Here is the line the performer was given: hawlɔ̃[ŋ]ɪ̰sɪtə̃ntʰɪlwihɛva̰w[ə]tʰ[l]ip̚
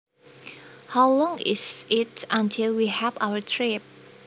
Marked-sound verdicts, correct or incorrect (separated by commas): correct, correct, incorrect